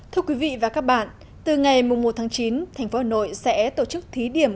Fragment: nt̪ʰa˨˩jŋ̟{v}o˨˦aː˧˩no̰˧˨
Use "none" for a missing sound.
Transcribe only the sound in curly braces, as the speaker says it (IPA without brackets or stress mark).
f